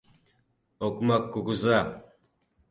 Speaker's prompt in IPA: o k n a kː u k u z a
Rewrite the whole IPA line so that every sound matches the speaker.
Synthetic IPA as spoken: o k m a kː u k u z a